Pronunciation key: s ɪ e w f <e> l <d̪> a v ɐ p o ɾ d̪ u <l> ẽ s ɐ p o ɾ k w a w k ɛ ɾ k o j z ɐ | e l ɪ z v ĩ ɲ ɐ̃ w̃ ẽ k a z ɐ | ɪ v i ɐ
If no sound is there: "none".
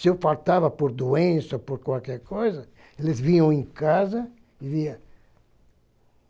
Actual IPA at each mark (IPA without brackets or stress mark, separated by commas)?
a, t̪, none